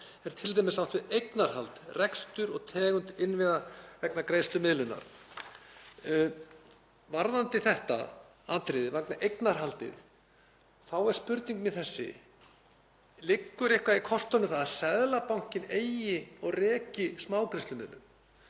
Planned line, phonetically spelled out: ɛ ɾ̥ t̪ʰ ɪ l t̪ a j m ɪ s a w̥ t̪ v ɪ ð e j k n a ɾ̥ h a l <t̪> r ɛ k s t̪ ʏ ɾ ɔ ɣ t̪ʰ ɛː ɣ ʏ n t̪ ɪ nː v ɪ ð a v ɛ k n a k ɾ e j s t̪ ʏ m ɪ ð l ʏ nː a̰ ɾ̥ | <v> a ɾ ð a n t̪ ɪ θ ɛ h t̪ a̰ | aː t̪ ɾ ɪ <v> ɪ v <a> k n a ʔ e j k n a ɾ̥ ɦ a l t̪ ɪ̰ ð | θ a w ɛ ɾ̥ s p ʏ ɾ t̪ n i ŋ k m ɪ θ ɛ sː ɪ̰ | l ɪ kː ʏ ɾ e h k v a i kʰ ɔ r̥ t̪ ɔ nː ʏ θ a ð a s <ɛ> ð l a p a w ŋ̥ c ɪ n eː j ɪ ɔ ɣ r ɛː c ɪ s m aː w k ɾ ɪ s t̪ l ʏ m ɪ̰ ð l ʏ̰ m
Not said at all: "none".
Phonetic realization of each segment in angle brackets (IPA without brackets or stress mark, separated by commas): t̪, v, ð, a, ɛ